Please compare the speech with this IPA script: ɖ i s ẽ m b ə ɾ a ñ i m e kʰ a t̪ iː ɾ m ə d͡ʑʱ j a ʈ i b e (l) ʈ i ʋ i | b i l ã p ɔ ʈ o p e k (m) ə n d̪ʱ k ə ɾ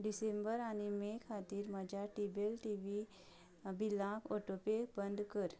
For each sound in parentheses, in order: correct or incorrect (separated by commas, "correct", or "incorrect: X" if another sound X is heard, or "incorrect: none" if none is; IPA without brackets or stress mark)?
correct, incorrect: b